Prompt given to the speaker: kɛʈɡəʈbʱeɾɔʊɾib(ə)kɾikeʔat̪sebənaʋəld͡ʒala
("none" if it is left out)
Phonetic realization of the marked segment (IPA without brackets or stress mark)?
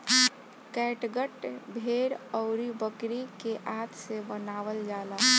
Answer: ə